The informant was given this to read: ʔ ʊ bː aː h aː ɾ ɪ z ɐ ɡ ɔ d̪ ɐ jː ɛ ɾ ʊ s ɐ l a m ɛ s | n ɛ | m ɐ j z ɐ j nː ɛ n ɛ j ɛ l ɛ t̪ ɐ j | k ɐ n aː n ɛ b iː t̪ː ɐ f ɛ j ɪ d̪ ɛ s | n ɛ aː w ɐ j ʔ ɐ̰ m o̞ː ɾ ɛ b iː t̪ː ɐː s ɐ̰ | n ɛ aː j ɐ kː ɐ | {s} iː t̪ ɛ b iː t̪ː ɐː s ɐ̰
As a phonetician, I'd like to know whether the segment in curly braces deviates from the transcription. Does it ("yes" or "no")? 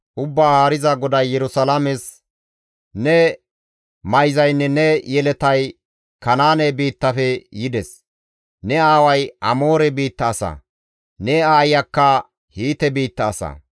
yes